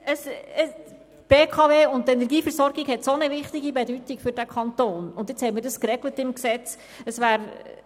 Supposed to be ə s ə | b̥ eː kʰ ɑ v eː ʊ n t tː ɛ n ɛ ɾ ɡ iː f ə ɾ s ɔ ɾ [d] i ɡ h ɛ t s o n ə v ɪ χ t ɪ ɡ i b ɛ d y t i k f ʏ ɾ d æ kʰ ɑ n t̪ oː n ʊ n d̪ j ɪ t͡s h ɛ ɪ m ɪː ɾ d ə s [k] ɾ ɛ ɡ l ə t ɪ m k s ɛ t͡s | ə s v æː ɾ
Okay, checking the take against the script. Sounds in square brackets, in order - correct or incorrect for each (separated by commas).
incorrect, correct